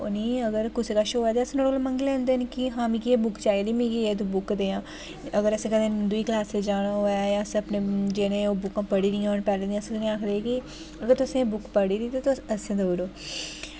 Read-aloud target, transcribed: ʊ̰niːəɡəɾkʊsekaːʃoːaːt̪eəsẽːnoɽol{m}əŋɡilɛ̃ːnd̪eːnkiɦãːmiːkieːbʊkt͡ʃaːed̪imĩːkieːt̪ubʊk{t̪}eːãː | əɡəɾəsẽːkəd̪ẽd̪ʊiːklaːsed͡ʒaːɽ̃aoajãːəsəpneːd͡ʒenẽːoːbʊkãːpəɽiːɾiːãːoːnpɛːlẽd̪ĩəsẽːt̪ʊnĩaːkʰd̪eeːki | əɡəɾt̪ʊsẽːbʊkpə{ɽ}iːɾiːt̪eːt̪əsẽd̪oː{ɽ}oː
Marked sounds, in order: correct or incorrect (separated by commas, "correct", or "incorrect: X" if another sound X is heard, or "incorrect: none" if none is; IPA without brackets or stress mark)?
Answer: correct, incorrect: d̪, correct, incorrect: ɾ